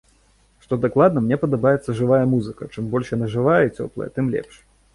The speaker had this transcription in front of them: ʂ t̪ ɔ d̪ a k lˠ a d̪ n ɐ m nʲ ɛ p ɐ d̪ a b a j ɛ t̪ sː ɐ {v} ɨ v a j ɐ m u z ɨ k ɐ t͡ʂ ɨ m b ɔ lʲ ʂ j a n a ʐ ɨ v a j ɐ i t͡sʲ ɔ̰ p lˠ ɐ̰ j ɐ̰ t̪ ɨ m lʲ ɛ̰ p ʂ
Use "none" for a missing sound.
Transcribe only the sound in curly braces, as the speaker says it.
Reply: ʐ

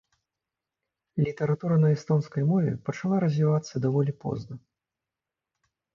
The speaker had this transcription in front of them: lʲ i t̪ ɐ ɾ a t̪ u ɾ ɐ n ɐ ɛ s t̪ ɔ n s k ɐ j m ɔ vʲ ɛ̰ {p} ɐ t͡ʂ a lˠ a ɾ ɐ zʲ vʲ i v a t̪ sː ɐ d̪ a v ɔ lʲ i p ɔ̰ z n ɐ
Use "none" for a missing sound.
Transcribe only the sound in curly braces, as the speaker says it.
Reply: p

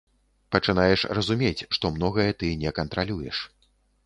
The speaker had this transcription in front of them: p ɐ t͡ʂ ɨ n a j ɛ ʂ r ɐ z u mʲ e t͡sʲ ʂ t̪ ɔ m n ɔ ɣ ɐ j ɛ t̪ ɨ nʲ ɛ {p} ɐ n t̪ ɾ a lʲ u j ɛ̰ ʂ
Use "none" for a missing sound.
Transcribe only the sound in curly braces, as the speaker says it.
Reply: k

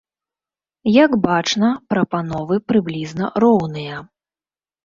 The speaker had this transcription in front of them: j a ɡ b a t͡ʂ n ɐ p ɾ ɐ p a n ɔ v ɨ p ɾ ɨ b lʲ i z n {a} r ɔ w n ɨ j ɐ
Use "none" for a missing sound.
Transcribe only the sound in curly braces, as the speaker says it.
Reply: ɐ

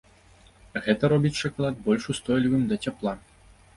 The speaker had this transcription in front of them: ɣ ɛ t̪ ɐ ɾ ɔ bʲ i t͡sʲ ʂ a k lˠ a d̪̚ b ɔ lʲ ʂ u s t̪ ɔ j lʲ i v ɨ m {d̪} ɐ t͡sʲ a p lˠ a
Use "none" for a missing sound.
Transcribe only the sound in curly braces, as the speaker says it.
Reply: d̪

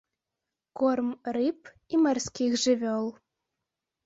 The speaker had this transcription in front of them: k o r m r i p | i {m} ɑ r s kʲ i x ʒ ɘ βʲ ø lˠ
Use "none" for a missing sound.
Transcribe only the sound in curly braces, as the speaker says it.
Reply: m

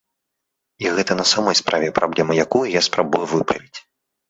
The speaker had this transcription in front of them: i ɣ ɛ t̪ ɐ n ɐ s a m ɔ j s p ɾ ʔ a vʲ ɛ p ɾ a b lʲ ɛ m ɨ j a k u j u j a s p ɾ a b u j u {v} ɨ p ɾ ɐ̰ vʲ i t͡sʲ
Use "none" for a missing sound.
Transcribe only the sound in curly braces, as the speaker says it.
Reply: v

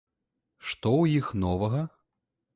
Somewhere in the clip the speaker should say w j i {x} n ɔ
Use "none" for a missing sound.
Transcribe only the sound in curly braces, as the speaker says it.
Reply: x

